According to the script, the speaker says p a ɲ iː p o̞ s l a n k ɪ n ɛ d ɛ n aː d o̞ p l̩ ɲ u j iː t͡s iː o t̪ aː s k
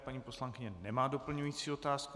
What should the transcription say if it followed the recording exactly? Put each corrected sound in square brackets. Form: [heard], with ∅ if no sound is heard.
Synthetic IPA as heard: p a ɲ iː p o̞ s l a [ŋ] k ɪ [ɲ] ɛ [n] ɛ [m] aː d o̞ p l̩ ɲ u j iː t͡s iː o t̪ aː s k

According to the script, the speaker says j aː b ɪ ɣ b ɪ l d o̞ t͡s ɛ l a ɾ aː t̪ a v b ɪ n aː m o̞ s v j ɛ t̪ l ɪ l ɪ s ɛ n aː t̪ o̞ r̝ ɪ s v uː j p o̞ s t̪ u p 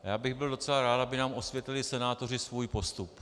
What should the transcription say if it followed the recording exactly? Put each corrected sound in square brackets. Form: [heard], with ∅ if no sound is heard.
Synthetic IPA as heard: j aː b ɪ ɣ b ɪ l d o̞ t͡s ɛ l a ɾ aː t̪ a [∅] b ɪ n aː m o̞ s v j ɛ t̪ l ɪ l ɪ s ɛ n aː t̪ o̞ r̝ ɪ s v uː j p o̞ s t̪ u p

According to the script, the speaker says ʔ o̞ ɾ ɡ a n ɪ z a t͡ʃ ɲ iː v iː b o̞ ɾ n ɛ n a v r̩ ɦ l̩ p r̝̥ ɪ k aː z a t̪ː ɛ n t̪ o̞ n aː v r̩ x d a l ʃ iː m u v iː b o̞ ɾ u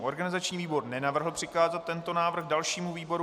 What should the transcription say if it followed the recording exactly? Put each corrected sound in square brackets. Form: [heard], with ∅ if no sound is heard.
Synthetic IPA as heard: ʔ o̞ ɾ ɡ a n ɪ z a t͡ʃ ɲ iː v iː b o̞ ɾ n ɛ n a v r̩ ɦ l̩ p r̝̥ ɪ k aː z a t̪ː ɛ n t̪ o̞ n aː v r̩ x d a l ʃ iː m u v iː b o̞ ɾ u

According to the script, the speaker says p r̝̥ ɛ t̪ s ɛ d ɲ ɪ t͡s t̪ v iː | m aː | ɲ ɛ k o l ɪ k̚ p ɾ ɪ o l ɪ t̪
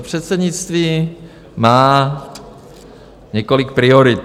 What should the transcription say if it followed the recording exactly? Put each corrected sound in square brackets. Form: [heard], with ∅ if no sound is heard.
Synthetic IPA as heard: p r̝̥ ɛ t̪ s ɛ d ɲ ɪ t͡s t̪ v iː | m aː | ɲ ɛ k o l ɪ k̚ p ɾ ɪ o [ɾ] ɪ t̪

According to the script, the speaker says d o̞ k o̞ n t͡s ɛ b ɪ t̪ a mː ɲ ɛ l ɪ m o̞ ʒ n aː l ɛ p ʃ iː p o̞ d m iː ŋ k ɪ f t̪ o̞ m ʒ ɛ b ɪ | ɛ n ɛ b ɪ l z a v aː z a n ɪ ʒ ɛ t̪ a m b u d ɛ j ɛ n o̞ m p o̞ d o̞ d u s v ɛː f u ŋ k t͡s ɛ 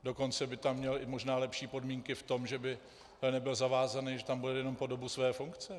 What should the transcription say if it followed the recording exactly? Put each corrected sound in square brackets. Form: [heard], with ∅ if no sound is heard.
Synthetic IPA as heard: d o̞ k o̞ n t͡s ɛ b ɪ t̪ a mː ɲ ɛ l ɪ m o̞ ʒ n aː l ɛ p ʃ iː p o̞ d m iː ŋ k ɪ f t̪ o̞ m ʒ ɛ b ɪ | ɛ n ɛ b ɪ l z a v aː z a n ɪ ʒ ɛ t̪ a m b u d ɛ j ɛ n o̞ m p o̞ d o̞ [b] u s v ɛː f u ŋ k t͡s ɛ

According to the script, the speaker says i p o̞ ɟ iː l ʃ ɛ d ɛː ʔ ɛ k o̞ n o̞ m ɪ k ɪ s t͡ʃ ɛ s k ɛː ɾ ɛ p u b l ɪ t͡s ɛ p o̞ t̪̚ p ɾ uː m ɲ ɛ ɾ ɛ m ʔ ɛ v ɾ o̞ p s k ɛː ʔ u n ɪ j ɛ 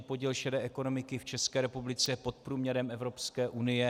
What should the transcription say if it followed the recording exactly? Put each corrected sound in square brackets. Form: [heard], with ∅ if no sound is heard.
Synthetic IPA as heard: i p o̞ ɟ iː l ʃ ɛ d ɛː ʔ ɛ k o̞ n o̞ m ɪ k ɪ [f] t͡ʃ ɛ s k ɛː ɾ ɛ p u b l ɪ t͡s ɛ p o̞ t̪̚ p ɾ uː m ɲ ɛ ɾ ɛ m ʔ ɛ v ɾ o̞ p s k ɛː ʔ u n ɪ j ɛ

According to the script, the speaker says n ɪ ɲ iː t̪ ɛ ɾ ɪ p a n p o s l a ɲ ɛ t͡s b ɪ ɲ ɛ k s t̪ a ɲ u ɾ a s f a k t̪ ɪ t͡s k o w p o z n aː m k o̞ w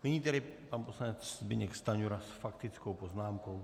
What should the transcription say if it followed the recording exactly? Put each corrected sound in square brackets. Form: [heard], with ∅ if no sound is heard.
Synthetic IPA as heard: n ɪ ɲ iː t̪ ɛ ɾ ɪ p a n p o s l a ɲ ɛ t͡s b ɪ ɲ ɛ k s t̪ a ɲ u ɾ a s f a k t̪ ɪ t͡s k o w p o z n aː m k o̞ w

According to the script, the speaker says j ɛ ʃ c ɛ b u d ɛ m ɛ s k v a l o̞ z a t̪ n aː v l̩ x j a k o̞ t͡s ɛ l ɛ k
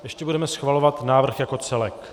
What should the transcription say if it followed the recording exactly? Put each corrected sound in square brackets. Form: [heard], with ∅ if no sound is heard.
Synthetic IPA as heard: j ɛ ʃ c ɛ b u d ɛ m ɛ s [x] v a l o̞ [v] a t̪ n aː v [r̩] x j a k o̞ t͡s ɛ l ɛ k

